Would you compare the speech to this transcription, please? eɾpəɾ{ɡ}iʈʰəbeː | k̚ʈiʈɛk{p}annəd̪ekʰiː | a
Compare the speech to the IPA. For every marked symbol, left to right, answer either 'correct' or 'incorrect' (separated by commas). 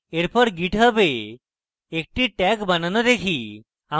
correct, incorrect